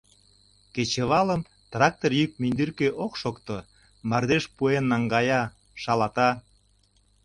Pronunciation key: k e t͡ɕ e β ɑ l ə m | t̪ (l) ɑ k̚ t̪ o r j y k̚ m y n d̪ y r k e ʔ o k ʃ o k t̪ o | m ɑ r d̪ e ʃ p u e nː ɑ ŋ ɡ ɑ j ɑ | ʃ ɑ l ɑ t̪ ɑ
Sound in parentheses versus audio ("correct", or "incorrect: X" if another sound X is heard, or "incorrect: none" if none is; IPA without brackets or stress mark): incorrect: r